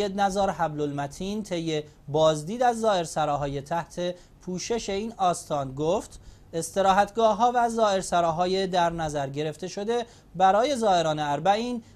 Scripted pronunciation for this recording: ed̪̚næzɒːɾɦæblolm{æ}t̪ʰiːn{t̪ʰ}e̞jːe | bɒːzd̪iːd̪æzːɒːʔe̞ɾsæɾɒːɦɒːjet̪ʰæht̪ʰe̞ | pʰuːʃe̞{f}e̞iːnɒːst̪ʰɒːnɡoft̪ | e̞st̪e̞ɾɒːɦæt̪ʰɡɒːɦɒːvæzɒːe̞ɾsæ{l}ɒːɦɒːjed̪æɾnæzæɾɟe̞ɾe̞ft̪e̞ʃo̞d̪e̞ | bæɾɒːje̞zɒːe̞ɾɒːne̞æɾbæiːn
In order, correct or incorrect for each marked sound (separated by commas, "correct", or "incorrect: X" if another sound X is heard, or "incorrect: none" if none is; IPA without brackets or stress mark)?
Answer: correct, correct, incorrect: ʃ, incorrect: ɾ